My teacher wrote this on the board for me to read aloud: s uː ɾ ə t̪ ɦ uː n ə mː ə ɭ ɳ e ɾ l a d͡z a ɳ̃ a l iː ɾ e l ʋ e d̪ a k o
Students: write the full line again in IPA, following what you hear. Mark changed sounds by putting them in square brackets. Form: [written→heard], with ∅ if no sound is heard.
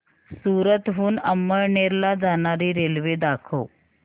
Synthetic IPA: s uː ɾ ə t̪ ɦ uː n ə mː ə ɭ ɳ e ɾ l a d͡z a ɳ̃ a [l→ɾ] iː ɾ e l ʋ e d̪ a [k→kʰ] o